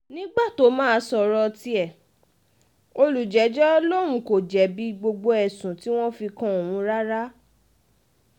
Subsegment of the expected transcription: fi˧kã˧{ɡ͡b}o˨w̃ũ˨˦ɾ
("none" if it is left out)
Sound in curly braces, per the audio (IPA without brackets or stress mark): none